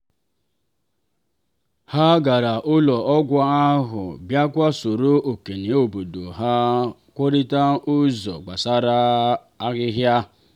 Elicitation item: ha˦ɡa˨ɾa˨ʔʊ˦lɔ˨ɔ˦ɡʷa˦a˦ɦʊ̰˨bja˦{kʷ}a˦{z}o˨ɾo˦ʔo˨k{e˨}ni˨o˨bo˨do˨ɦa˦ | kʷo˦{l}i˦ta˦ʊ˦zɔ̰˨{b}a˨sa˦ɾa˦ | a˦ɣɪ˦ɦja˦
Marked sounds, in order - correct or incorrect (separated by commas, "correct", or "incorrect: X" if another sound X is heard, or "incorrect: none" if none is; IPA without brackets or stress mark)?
correct, incorrect: s, correct, incorrect: ɾ, incorrect: ɡ͡b